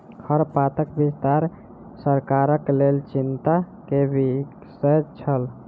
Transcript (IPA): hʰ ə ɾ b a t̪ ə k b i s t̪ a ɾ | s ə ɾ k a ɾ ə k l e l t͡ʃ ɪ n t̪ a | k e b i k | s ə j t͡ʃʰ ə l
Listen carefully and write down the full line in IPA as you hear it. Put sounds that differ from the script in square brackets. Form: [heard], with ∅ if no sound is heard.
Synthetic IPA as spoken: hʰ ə ɾ [p] a t̪ ə k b i s t̪ a ɾ | s ə ɾ k a ɾ ə k l e l t͡ʃ [i] n t̪ a | k e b i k | s ə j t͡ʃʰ ə l

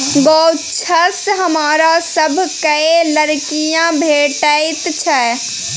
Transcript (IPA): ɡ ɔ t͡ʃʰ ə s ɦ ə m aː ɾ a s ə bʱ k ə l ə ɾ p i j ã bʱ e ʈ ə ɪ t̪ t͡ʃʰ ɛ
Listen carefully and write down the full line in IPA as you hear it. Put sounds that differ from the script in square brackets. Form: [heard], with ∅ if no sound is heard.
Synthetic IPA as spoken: ɡ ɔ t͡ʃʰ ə s ɦ ə m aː ɾ a s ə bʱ k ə l ə ɾ [k] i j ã bʱ e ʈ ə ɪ t̪ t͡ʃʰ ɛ

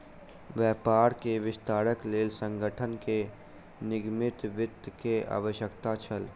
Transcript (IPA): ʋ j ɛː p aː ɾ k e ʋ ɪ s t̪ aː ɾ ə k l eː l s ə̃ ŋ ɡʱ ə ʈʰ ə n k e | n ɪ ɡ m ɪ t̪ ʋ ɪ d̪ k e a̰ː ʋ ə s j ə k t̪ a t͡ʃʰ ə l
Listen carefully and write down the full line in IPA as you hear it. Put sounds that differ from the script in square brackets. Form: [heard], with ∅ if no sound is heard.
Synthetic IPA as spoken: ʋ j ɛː p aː ɾ k e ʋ ɪ s t̪ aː ɾ ə k l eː l s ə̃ ŋ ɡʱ ə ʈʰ ə n k e | n ɪ ɡ m ɪ t̪ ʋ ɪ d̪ k e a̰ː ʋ ə [ʃ] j ə k t̪ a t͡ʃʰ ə l

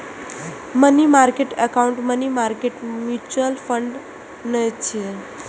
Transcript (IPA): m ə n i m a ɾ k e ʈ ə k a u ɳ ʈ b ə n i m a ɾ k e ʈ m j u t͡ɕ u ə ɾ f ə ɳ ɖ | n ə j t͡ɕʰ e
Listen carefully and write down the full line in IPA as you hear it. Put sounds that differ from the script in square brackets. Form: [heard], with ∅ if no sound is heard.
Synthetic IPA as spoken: m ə n i m a ɾ k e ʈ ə k a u ɳ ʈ [m] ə n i m a ɾ k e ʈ m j u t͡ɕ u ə [l] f ə ɳ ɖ | n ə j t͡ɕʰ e

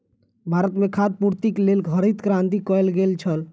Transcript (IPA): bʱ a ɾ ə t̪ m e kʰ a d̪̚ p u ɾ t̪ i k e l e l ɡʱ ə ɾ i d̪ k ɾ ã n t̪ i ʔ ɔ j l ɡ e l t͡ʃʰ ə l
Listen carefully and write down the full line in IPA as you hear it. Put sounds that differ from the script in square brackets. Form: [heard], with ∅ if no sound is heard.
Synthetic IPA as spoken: bʱ a ɾ ə t̪ m e kʰ a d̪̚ p u ɾ t̪ i k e l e l ɡʱ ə ɾ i [t̪] k ɾ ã n t̪ i [k] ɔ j l ɡ e l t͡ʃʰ ə l

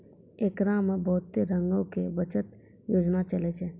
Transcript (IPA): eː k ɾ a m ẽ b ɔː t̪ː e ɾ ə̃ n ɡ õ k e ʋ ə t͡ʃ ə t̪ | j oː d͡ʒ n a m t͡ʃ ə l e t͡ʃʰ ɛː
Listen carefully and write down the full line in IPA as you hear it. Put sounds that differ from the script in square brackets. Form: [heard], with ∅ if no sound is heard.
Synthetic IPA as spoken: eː k ɾ a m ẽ b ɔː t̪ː e ɾ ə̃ [ŋ] ɡ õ k e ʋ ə t͡ʃ ə t̪ | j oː d͡ʒ n a [∅] t͡ʃ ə l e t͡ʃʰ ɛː

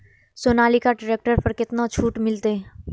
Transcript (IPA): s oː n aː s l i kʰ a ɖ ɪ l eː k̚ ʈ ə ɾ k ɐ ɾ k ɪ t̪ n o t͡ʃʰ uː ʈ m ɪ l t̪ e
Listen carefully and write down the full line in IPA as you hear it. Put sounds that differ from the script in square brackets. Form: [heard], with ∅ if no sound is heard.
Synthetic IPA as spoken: s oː n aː [∅] l i [k] a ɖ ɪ [ɾ] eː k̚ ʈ ə ɾ [p] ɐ ɾ k ɪ t̪ n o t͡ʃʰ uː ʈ m ɪ l t̪ e

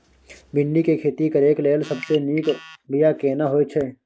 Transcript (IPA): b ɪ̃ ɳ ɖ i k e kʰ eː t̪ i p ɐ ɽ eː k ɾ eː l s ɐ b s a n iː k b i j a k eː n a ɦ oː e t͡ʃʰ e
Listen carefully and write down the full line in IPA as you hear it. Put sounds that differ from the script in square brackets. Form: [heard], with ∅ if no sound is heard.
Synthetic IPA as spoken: b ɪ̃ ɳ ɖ i k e kʰ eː t̪ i [k] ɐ [ɾ] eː k [l] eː l s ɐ b s [e] n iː k b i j a k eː n a ɦ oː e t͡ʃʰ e

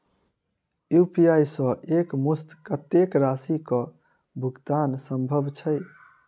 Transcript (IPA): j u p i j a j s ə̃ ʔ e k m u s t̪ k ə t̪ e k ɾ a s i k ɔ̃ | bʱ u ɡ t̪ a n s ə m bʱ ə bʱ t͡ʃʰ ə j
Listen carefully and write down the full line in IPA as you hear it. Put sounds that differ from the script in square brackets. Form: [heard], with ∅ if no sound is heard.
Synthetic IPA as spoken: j u p i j a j s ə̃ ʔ e k m u s t̪ k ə t̪ e k ɾ a s i k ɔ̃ | bʱ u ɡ t̪ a n s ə m bʱ ə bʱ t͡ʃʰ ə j

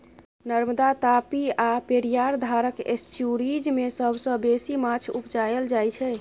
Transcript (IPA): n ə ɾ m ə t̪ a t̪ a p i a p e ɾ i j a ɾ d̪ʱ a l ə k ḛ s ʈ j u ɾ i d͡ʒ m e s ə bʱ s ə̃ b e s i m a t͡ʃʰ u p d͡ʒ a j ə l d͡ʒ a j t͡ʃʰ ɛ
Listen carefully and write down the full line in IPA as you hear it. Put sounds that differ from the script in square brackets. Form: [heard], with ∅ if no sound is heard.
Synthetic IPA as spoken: n ə ɾ m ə [d̪] a t̪ a p i a p e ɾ i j a ɾ d̪ʱ a [ɾ] ə k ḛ s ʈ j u ɾ i d͡ʒ m e s ə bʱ s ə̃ b e s i m a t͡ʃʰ u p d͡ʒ a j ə l d͡ʒ a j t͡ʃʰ ɛ

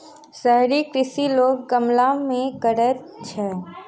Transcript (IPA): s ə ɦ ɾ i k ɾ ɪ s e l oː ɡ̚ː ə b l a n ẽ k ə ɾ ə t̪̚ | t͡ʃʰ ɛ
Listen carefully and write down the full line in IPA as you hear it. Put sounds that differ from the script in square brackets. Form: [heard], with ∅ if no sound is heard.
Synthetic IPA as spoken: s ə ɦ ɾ i k ɾ ɪ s [i] l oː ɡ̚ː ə [m] l a [m] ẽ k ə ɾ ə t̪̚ | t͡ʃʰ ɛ

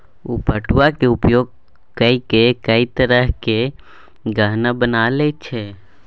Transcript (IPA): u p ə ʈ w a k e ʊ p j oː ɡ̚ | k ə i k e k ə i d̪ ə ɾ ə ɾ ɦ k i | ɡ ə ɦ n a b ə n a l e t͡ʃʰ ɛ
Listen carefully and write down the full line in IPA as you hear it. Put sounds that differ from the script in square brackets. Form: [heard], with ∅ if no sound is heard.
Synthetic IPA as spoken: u p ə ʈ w a k e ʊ p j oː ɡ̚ | k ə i k e k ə i [t̪] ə ɾ ə [∅] ɦ k [e] | ɡ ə ɦ n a b ə n a l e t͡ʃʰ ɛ

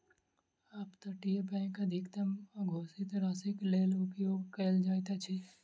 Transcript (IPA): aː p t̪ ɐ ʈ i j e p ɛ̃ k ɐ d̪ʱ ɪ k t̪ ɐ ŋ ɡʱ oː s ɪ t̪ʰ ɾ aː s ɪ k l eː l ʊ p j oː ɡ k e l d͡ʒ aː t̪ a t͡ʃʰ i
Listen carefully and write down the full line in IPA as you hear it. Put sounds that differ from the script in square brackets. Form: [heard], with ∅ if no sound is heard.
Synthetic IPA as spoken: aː p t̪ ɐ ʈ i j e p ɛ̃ k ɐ d̪ʱ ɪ k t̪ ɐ [m] ɡʱ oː s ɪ [t̪] ɾ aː s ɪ k l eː l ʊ p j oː ɡ k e l d͡ʒ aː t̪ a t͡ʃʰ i

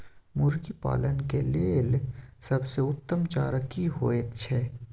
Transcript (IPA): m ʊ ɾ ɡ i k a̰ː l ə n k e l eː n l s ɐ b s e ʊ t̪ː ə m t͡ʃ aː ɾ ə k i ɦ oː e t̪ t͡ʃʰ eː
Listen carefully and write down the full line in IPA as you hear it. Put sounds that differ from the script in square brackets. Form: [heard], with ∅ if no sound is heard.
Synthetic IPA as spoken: m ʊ ɾ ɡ i [p] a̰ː l ə n k e l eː [∅] l s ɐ b s e ʊ t̪ː ə m t͡ʃ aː ɾ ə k i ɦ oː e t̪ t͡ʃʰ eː

